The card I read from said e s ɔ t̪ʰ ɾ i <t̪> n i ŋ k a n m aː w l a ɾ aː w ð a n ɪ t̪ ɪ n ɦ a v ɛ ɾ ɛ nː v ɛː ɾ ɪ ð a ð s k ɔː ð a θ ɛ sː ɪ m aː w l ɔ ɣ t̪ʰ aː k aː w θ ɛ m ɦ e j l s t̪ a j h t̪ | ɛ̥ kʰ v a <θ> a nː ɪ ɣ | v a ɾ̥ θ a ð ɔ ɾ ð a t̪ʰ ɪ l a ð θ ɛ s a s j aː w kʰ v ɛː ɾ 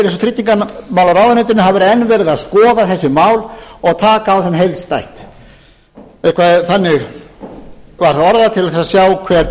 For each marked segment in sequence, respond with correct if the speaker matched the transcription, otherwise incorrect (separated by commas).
correct, correct